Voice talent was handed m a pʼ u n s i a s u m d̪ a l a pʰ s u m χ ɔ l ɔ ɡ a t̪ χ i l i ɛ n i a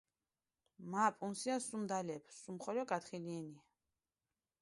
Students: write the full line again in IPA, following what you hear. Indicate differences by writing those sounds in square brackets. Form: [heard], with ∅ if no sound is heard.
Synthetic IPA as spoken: m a pʼ u n s i a s u m d̪ a l [ɛ] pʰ s u m χ ɔ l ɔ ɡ a t̪ χ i l i ɛ n i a